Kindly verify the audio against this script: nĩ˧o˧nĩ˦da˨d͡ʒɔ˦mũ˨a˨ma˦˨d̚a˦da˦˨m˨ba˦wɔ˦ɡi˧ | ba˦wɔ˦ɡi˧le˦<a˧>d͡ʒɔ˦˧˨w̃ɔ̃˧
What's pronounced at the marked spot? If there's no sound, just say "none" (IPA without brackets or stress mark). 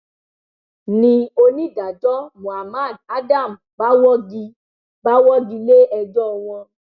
ɛ˧